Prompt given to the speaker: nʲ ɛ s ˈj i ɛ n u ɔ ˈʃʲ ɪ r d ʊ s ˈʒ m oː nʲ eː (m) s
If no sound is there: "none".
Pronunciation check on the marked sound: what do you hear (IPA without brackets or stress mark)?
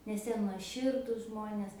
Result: none